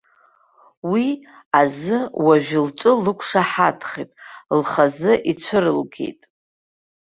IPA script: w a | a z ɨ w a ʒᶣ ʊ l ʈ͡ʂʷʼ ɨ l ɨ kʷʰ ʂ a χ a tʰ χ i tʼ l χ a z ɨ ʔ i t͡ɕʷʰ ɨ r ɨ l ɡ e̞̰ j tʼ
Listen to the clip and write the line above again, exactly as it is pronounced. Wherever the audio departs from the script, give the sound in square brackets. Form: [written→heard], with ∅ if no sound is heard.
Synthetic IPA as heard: w [a→i] | a z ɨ w a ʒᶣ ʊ l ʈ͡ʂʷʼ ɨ l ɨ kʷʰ ʂ a [χ→ħ] a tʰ χ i tʼ l χ a z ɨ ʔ i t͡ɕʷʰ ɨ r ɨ l ɡ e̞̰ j tʼ